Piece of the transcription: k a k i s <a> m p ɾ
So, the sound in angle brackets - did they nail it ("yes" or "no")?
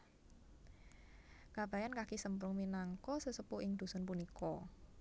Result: no